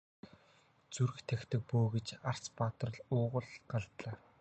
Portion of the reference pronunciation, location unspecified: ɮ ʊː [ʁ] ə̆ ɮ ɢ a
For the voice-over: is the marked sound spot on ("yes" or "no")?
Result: yes